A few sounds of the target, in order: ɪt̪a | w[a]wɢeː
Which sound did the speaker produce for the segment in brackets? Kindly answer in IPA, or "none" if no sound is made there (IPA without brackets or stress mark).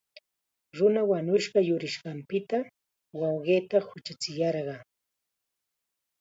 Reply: ɑ